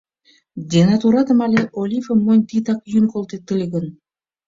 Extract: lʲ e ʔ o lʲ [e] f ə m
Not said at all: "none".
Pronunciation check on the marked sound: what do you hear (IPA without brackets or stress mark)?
i